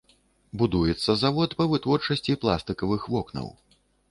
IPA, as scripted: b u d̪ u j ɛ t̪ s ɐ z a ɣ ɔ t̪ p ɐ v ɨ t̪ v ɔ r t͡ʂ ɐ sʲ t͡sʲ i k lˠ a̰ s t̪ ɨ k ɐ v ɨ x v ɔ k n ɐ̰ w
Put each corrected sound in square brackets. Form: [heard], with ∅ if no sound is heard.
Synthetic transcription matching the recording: b u d̪ u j ɛ t̪ [sː] ɐ z a [v] ɔ t̪ p ɐ v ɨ t̪ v ɔ r t͡ʂ ɐ sʲ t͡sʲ i [p] lˠ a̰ s t̪ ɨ k ɐ v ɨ x v ɔ k n ɐ̰ w